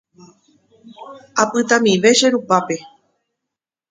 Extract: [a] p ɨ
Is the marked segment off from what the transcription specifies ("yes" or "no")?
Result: no